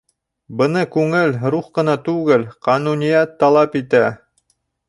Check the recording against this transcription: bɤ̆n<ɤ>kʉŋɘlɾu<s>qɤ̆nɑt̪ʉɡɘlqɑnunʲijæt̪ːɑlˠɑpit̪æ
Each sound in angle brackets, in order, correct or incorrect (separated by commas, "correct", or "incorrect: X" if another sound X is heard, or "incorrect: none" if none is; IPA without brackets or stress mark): correct, incorrect: χ